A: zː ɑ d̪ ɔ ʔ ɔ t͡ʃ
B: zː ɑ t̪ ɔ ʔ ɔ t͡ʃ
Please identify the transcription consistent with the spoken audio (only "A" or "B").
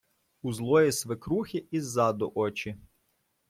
A